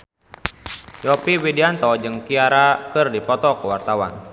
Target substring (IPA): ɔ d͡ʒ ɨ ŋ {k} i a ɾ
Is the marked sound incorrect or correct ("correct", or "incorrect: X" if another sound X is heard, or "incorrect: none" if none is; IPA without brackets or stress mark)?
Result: correct